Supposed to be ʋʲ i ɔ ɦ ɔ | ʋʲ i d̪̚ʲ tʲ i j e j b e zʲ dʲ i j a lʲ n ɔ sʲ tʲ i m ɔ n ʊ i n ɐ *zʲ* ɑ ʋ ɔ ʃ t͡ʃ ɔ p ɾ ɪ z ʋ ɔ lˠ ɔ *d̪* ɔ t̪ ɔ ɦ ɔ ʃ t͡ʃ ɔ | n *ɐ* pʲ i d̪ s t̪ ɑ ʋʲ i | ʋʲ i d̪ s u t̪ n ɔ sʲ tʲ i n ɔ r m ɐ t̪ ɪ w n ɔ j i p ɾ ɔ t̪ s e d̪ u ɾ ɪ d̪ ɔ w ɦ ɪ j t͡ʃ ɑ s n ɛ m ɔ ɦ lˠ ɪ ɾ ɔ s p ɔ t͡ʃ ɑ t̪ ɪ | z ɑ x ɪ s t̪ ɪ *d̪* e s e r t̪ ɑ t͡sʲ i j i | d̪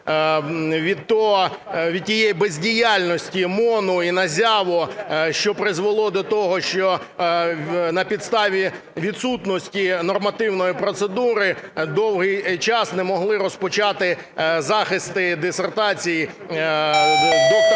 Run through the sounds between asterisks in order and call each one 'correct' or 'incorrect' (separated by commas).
correct, correct, correct, correct